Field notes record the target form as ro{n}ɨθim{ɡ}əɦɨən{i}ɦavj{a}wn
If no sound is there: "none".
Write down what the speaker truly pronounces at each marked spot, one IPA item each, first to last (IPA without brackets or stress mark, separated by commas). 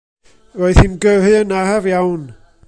none, ɡ, a, a